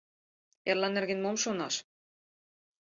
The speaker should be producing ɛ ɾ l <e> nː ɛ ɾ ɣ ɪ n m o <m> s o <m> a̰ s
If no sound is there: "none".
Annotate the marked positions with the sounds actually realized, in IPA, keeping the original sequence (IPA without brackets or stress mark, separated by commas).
a, m, n